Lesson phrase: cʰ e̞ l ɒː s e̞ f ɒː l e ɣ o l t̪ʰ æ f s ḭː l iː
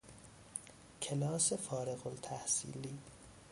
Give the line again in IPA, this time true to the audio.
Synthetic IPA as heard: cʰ e̞ l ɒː s e̞ f ɒː ɾ e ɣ o l t̪ʰ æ h s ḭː l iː

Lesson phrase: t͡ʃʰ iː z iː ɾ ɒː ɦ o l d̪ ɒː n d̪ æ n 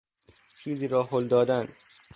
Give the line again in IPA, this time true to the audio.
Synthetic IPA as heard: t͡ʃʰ iː z iː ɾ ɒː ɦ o l d̪ ɒː d̪ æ n

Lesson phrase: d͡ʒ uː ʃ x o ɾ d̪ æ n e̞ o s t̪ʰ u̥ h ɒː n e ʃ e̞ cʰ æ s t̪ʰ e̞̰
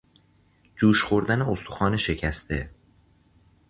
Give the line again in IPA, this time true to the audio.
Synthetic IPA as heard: d͡ʒ uː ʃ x o ɾ d̪ æ n e̞ o s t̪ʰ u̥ x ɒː n e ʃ e̞ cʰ æ s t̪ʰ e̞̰

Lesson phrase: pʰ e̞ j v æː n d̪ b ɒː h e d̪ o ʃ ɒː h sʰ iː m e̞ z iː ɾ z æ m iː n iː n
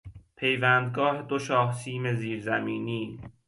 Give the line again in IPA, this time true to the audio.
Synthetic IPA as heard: pʰ e̞ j v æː n d̪ ɡ ɒː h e d̪ o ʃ ɒː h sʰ iː m e̞ z iː ɾ z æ m iː n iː n

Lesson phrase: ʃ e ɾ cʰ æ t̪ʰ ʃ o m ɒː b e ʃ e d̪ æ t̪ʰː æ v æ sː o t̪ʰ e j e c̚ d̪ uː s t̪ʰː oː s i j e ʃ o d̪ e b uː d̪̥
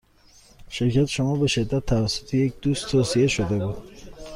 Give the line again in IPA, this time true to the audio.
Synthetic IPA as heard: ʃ e ɾ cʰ æ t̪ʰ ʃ o m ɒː b e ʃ e d̪ː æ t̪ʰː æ v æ sː o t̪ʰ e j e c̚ d̪ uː s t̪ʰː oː s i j e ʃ o d̪ e b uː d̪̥

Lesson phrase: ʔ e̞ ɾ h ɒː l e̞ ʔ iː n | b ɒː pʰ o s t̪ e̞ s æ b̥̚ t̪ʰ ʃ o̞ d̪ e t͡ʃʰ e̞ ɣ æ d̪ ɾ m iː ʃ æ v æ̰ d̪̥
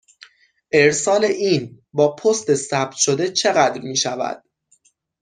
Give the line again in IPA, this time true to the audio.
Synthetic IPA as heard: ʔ e̞ ɾ s ɒː l e̞ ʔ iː n | b ɒː pʰ o s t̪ e̞ s æ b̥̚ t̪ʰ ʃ o̞ d̪ e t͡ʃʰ e̞ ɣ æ d̪ ɾ m iː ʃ æ v æ̰ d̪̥

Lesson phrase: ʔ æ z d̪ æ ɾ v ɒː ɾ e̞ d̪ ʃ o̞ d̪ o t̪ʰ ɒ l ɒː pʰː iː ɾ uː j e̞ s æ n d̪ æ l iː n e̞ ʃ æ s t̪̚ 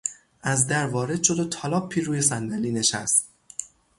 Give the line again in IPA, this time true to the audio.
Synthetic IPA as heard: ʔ æ z d̪ æ ɾ v ɒː ɾ e̞ d̪ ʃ o̞ d̪ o t̪ʰ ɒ l ɒː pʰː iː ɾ uː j e̞ s æ n d̪ æ l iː n e̞ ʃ æ s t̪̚

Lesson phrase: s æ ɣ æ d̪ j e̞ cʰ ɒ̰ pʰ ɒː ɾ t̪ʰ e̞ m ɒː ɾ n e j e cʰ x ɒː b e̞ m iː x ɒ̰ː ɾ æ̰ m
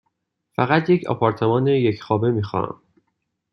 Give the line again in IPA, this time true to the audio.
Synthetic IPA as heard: f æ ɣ æ t̪ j e̞ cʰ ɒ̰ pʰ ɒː ɾ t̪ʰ e̞ m ɒː n e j e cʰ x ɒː b e̞ m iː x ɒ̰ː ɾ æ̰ m

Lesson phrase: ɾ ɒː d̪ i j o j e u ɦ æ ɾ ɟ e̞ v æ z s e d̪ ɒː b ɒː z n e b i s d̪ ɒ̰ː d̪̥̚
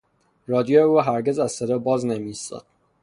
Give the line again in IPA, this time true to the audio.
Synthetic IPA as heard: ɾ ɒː d̪ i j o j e u ɦ æ ɾ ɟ e̞ z æ z s e d̪ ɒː b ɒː z n e m i s t̪ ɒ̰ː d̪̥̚

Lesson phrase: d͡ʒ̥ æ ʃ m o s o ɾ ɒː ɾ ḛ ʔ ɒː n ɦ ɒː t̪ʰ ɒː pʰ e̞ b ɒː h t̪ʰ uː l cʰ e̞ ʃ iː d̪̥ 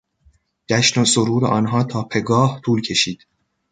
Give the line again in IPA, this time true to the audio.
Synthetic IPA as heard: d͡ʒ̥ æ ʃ n o s o ɾ uː ɾ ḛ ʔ ɒː n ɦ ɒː t̪ʰ ɒː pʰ e̞ ɡ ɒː h t̪ʰ uː l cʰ e̞ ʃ iː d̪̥

